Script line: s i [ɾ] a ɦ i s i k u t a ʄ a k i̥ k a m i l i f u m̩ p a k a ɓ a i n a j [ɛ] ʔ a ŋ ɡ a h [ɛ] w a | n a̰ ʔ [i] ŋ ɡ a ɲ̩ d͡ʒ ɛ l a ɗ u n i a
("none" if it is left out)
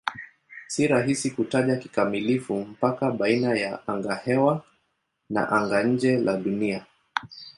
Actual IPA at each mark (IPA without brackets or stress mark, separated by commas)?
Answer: ɾ, a, ɛ, a